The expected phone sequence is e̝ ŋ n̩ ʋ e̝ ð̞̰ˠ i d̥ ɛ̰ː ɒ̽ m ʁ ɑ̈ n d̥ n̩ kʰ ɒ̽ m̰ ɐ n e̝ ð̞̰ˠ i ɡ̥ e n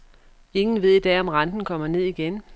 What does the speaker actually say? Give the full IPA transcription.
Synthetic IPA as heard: e̝ ŋ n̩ ʋ e̝ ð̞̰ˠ i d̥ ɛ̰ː ɒ̽ m ʁ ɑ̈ n d̥ n̩ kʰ ɒ̽ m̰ ɐ n e̝ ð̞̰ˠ i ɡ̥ e n